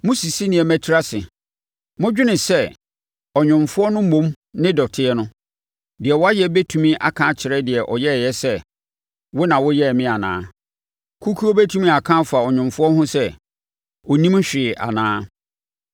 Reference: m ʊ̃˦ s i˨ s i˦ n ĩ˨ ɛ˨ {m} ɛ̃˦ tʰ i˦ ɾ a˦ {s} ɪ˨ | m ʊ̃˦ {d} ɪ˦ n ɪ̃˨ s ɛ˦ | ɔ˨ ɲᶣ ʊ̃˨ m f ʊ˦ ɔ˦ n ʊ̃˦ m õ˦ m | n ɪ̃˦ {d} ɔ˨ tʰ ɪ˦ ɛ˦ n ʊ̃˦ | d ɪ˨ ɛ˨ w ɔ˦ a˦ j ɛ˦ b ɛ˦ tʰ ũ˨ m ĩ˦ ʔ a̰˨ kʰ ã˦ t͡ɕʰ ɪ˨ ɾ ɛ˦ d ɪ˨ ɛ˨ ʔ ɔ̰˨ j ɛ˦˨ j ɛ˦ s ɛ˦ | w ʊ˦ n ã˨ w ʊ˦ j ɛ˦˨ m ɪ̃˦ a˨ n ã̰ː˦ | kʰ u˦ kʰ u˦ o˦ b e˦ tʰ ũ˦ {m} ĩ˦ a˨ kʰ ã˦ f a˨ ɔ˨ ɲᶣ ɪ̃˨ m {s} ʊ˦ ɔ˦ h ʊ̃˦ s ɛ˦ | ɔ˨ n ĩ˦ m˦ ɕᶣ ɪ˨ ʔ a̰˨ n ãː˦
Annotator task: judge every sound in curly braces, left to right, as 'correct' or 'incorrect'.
correct, correct, incorrect: d͡ʑᶣ, correct, correct, incorrect: f

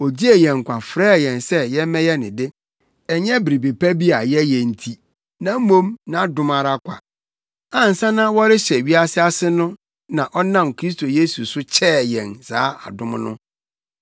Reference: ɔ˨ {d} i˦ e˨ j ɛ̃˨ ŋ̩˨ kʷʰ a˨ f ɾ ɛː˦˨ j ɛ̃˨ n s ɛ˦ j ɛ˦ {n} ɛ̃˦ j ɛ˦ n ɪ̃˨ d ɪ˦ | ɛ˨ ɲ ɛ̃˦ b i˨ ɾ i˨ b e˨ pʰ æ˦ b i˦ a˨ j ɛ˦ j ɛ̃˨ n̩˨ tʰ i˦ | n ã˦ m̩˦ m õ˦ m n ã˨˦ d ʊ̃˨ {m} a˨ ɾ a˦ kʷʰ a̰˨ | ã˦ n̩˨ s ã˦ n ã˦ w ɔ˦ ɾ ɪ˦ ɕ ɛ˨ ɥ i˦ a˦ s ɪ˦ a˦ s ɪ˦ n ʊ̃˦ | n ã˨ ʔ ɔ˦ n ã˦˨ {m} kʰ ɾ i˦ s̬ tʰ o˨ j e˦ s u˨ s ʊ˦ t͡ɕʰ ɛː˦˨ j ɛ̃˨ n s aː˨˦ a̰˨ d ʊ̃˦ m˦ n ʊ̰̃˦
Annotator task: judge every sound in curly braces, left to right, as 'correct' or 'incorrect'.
incorrect: d͡ʑ, incorrect: m, correct, correct

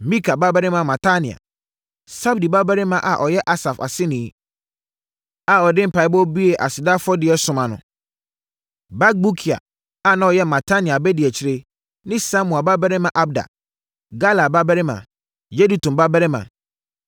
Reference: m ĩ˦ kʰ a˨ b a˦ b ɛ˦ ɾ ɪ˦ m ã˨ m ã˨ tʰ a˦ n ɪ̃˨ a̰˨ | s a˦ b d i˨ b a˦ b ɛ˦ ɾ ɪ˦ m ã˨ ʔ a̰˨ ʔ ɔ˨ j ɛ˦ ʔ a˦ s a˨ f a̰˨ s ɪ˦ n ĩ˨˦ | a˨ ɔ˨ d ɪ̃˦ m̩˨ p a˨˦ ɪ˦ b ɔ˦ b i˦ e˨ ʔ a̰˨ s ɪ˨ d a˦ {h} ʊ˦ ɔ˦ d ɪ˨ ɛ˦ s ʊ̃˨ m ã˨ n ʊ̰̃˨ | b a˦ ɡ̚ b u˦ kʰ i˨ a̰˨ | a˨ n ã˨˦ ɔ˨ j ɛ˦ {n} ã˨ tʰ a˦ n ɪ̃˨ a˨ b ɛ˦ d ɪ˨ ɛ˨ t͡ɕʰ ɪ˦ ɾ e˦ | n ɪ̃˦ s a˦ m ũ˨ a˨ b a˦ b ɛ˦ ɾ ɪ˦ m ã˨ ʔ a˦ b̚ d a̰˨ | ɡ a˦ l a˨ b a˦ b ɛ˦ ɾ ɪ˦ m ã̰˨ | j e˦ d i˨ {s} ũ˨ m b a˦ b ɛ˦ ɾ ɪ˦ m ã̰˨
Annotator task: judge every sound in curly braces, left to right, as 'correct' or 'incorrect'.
incorrect: f, incorrect: m, incorrect: t

